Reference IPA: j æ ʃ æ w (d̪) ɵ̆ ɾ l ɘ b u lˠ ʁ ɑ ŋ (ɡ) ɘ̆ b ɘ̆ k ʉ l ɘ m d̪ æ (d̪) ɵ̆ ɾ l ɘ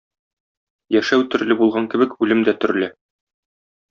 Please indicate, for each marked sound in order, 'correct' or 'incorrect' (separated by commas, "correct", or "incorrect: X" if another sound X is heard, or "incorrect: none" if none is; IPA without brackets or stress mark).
incorrect: t̪, incorrect: k, incorrect: t̪